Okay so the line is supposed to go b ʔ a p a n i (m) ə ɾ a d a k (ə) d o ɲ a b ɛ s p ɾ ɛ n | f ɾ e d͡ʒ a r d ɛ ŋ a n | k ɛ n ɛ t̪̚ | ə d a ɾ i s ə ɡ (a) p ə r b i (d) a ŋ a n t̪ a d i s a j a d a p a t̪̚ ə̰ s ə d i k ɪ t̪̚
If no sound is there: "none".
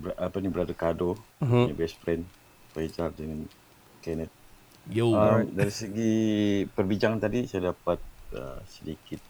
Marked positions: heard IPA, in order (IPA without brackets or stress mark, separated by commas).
b, a, i, d͡ʒ